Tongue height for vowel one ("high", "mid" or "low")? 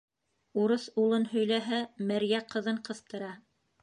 high